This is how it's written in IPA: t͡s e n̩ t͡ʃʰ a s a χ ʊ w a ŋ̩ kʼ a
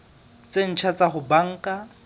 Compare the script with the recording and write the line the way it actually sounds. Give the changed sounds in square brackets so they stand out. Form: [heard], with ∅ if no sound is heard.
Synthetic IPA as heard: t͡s e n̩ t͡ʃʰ a [t͡s] a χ ʊ [b] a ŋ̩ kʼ a